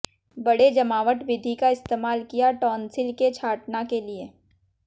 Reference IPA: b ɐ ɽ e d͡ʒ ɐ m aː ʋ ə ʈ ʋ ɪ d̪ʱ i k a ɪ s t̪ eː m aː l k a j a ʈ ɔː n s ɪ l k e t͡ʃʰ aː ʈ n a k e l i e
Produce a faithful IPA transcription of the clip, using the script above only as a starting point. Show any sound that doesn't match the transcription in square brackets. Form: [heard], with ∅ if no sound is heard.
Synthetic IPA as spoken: b ɐ ɽ e d͡ʒ ɐ m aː ʋ ə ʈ ʋ ɪ d̪ʱ i k a ɪ s t̪ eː m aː l k [i] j a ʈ ɔː n s ɪ l k e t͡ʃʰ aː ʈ n a k e l i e